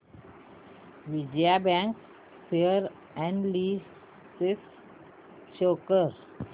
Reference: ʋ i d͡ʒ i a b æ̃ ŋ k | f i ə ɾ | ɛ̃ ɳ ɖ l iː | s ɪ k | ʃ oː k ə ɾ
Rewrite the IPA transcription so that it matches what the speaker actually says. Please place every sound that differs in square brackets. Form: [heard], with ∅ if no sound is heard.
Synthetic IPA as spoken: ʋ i d͡ʒ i a b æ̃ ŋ k | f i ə ɾ | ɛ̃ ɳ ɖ l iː | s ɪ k | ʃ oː k ə ɾ